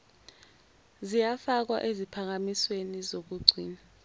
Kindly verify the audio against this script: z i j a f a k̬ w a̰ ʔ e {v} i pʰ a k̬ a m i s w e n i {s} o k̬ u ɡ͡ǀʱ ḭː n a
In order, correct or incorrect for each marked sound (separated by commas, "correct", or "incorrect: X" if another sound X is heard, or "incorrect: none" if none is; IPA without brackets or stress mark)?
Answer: incorrect: z, incorrect: z